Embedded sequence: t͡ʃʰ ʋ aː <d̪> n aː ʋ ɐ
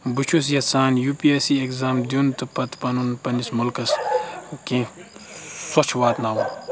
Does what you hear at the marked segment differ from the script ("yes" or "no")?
yes